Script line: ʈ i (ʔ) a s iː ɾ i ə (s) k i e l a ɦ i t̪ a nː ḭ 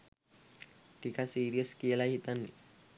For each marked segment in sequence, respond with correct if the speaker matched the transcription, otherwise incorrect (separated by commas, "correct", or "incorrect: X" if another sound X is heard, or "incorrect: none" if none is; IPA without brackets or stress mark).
incorrect: k, correct